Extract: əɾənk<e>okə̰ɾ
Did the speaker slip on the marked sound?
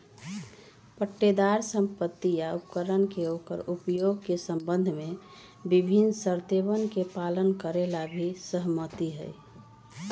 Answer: no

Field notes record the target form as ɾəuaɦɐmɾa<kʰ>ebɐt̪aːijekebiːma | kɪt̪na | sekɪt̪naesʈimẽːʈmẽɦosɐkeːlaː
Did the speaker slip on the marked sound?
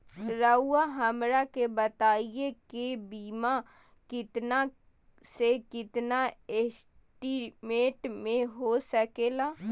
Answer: yes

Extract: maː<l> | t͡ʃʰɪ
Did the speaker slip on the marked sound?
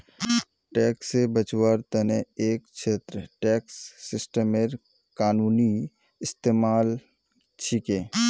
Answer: no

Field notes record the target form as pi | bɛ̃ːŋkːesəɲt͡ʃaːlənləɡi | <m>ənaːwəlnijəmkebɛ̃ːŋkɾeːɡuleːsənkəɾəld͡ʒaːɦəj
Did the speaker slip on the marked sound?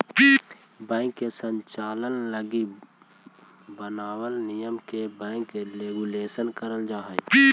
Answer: yes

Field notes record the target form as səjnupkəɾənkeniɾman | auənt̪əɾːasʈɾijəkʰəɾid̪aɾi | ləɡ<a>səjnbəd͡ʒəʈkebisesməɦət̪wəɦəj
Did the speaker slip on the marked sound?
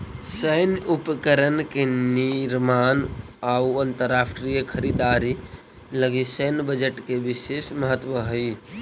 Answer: yes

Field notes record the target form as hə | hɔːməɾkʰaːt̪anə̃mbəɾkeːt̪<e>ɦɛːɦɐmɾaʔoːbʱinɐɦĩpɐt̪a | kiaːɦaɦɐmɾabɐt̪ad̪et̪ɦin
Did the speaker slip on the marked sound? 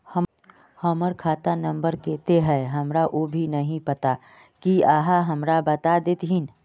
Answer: no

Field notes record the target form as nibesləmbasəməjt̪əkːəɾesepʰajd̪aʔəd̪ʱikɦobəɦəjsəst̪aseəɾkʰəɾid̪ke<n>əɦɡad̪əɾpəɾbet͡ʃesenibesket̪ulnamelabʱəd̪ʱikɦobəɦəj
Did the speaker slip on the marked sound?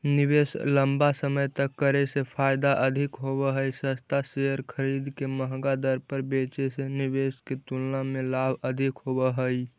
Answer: yes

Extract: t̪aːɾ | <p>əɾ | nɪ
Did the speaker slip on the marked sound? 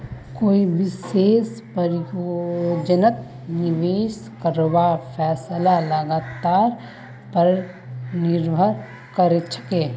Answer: no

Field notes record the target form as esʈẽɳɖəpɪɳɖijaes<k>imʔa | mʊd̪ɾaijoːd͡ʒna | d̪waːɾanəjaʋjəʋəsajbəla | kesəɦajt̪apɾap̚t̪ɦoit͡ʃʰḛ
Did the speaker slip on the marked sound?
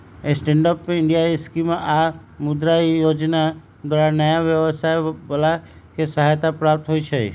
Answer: no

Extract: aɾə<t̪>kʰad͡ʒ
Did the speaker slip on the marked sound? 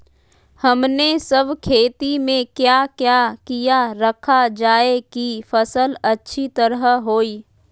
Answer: yes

